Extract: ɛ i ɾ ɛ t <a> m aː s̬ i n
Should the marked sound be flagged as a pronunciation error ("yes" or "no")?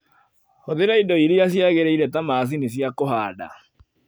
no